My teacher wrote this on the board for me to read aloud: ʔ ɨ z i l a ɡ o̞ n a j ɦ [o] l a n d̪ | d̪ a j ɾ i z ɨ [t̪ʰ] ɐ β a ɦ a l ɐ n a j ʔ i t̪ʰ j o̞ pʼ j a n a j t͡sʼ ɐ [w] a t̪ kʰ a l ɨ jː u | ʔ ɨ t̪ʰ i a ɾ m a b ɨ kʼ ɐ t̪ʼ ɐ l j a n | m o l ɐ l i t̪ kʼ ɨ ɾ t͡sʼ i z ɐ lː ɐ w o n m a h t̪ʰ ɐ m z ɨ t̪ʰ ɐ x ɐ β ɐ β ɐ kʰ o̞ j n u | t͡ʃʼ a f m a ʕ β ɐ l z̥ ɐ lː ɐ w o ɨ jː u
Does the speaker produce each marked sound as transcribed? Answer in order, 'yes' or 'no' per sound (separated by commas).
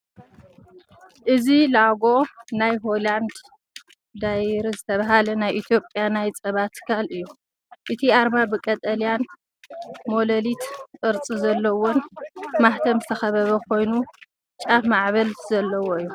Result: yes, yes, no